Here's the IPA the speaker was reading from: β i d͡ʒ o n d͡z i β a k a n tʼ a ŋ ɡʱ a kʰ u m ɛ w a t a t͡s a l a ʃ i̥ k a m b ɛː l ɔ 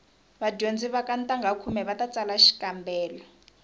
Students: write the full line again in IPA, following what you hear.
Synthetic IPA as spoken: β a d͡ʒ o n d͡z i β a k a n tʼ a ŋ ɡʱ a kʰ u m ɛ β a t a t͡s a l a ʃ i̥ k a m b ɛː l ɔ